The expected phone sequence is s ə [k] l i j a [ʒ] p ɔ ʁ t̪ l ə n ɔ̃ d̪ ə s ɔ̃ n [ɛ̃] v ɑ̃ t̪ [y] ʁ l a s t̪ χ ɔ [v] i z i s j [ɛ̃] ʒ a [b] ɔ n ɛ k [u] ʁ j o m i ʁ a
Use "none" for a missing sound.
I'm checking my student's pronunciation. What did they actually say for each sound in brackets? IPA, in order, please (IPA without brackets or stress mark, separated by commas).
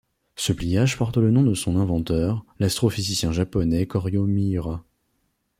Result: p, ʒ, ɛ̃, œ, f, ɛ̃, p, ɔ